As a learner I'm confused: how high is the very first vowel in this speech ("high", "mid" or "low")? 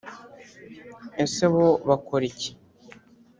mid